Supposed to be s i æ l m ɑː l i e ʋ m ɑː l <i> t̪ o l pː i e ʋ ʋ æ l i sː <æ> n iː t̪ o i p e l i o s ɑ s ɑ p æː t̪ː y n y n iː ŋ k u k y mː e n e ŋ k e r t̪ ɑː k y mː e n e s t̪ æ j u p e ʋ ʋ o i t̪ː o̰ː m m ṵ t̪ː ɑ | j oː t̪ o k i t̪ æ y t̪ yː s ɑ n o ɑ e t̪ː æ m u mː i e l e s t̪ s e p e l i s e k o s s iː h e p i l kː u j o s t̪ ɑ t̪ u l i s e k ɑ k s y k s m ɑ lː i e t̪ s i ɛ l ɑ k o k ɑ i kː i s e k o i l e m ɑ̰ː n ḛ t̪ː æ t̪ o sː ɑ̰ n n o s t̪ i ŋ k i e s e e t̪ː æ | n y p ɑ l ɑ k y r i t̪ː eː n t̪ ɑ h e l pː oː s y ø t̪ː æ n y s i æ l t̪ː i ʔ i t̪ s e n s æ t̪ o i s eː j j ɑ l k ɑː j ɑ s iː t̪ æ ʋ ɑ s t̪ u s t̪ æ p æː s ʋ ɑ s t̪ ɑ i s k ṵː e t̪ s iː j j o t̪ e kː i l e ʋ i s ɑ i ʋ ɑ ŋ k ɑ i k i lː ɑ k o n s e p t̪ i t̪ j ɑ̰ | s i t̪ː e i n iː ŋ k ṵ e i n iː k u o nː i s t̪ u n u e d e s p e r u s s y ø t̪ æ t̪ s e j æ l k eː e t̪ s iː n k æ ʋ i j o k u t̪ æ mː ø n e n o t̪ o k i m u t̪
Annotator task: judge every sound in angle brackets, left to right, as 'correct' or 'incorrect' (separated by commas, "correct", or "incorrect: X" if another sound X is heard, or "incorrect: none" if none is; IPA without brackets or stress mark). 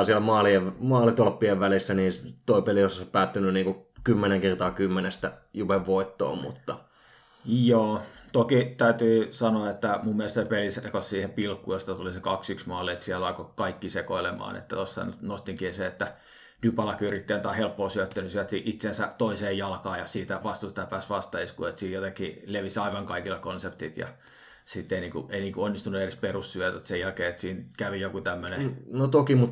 correct, correct